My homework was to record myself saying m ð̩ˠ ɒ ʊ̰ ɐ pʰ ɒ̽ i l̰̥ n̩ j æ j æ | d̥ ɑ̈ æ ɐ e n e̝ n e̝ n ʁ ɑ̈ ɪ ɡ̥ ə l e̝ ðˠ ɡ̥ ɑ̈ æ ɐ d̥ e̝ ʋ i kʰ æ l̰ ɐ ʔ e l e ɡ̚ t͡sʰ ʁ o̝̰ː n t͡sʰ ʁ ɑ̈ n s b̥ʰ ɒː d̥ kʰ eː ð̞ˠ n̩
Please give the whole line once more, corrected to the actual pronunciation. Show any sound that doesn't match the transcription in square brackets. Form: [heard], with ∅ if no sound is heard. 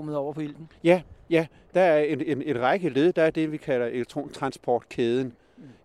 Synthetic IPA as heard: m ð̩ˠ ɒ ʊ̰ ɐ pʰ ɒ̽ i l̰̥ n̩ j æ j æ | d̥ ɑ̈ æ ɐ e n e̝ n e̝ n ʁ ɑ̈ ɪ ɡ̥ ə l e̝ ðˠ [d̥] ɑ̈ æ ɐ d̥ e̝ ʋ i kʰ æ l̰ ɐ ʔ e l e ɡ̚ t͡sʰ ʁ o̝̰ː n t͡sʰ ʁ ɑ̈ n s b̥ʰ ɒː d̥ kʰ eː ð̞ˠ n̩